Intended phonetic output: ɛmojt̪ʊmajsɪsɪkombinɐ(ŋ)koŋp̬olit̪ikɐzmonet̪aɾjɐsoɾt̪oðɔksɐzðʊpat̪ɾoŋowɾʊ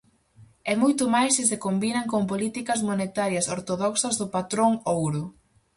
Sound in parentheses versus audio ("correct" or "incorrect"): correct